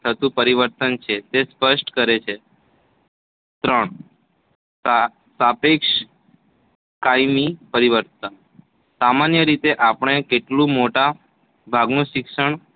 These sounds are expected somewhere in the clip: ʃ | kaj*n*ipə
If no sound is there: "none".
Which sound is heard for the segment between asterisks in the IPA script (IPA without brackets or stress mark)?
m